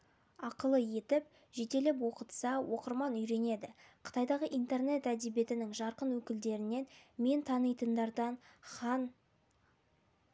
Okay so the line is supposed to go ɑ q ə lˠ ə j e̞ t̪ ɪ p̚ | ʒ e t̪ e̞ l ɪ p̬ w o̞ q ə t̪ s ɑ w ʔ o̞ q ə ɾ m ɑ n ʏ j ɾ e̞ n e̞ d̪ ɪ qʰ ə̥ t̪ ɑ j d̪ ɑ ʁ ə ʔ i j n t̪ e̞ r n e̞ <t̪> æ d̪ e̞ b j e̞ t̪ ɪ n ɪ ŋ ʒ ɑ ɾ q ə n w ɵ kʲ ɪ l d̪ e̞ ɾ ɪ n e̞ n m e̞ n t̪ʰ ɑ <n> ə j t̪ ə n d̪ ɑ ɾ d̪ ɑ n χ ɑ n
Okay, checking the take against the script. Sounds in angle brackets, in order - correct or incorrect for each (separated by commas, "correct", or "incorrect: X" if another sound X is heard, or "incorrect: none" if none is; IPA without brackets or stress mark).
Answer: correct, correct